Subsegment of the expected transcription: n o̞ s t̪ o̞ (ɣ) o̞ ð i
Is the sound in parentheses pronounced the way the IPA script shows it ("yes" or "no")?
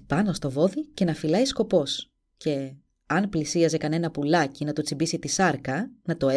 no